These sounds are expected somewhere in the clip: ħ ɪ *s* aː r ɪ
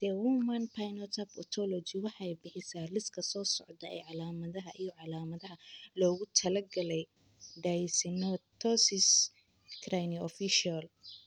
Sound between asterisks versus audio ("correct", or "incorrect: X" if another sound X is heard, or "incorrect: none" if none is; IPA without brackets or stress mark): correct